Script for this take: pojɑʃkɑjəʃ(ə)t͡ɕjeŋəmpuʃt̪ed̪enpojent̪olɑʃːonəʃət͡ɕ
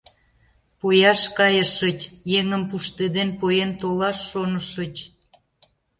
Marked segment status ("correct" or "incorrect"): correct